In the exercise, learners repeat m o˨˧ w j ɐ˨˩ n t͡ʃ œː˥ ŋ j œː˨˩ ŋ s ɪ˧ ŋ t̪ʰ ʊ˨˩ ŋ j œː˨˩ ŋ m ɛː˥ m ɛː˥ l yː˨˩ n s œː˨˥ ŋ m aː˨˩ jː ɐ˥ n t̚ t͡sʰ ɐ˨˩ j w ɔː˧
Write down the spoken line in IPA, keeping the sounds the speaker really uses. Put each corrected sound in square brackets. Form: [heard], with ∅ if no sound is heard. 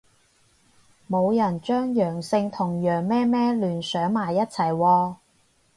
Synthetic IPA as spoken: m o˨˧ w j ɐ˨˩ n t͡ʃ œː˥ ŋ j œː˨˩ ŋ s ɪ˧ ŋ t̪ʰ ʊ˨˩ ŋ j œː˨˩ ŋ m ɛː˥ m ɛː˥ l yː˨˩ n s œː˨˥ ŋ m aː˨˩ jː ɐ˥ [∅] t̚ t͡sʰ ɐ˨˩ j w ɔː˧